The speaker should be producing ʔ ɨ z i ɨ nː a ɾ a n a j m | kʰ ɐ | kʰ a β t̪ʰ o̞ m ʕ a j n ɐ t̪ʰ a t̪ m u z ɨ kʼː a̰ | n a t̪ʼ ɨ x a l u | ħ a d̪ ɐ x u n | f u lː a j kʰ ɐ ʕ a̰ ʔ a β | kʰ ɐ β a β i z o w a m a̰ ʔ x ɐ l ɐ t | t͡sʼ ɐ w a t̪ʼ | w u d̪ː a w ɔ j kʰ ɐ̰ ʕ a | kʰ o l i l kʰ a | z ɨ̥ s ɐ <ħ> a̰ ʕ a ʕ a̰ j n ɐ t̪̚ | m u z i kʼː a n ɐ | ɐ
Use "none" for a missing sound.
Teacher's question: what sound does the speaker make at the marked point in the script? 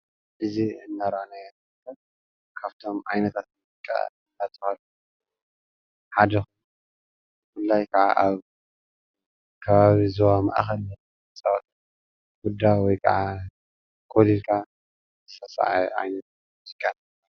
s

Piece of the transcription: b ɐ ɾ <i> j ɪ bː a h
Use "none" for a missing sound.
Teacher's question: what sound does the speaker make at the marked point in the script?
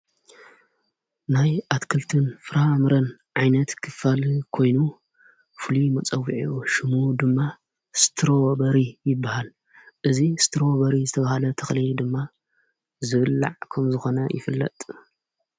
i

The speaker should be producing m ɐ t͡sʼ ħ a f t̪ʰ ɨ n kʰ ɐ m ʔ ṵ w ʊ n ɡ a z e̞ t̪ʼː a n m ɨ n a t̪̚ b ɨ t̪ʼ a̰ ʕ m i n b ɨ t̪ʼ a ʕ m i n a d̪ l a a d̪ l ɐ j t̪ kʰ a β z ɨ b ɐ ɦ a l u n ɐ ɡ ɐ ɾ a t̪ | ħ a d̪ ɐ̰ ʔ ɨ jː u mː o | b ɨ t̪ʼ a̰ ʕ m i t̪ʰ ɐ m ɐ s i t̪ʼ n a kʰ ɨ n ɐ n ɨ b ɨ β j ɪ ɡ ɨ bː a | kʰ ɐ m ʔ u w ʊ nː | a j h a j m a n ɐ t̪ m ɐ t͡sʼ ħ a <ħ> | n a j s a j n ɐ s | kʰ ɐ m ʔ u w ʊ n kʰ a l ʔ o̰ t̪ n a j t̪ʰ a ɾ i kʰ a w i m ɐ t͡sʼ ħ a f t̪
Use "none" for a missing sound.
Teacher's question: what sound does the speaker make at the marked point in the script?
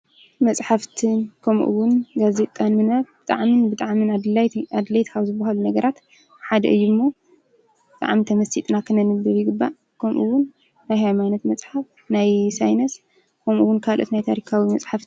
f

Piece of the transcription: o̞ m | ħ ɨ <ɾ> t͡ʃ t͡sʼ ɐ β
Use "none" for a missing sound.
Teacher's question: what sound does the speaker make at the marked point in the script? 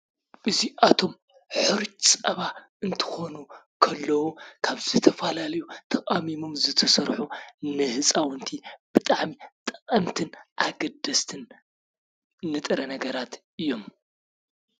ɾ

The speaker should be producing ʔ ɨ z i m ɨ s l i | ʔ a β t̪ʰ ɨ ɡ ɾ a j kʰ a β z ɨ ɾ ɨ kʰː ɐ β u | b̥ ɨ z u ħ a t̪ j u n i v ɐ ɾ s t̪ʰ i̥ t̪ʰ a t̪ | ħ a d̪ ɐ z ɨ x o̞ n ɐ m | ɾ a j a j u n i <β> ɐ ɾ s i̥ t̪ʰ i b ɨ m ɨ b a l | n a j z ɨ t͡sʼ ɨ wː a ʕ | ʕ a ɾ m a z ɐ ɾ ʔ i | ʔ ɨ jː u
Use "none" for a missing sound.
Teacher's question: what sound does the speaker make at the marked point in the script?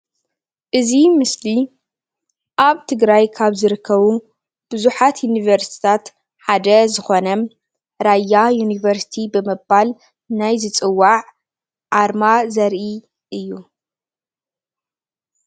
v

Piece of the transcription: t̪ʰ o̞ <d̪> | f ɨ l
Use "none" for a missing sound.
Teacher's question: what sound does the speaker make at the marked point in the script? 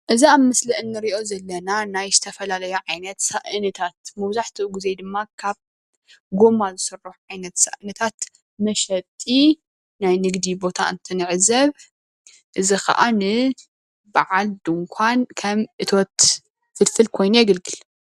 t̪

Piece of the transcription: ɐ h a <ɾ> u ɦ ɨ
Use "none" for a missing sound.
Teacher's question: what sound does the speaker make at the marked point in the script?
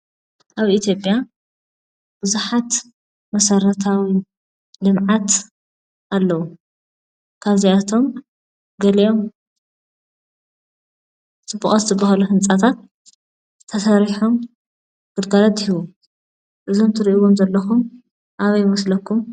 l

